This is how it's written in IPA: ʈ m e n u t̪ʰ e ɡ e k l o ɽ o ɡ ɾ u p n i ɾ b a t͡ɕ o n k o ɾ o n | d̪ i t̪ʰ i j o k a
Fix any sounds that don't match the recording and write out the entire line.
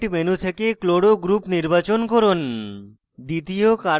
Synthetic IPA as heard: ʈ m e n u t̪ʰ e k e k l o ɽ o ɡ ɾ u p n i ɾ b a t͡ɕ o n k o ɾ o n | d̪ i t̪ i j o k a